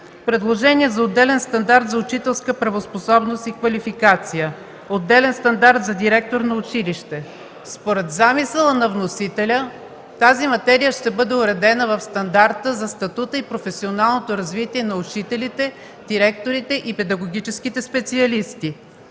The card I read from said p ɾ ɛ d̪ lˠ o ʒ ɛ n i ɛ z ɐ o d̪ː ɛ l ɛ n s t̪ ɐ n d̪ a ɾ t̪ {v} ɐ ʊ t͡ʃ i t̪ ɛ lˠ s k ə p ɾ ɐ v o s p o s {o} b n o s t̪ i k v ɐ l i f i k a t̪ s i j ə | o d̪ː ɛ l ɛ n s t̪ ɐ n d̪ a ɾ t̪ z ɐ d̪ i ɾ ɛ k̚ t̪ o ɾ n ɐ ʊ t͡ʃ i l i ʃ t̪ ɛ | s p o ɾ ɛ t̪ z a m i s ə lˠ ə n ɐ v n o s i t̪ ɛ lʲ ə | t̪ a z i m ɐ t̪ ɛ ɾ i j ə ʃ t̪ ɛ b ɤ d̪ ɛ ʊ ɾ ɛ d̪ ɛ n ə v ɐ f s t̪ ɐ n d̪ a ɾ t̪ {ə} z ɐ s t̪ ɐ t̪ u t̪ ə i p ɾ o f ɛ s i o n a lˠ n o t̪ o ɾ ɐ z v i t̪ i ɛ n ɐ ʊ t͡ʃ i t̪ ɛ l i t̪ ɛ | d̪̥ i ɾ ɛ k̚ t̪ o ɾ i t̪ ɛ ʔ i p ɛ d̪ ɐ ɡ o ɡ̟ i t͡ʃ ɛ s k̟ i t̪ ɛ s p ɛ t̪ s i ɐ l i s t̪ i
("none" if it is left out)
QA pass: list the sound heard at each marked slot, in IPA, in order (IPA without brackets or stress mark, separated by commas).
z, ɔ, ə